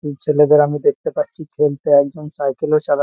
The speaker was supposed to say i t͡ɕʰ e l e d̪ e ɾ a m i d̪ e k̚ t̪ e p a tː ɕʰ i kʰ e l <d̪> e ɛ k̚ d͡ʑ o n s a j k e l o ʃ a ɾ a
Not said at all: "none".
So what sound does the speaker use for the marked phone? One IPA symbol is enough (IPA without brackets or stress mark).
t̪